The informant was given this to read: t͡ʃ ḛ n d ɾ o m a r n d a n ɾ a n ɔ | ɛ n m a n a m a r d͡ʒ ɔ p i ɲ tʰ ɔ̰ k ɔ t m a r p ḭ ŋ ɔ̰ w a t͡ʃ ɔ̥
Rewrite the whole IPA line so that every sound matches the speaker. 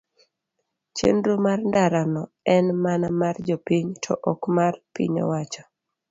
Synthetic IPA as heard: t͡ʃ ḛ n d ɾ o m a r n d a ɾ a n ɔ | ɛ n m a n a m a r d͡ʒ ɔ p i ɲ tʰ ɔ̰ ʔ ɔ k m a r p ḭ ɲ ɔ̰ w a t͡ʃ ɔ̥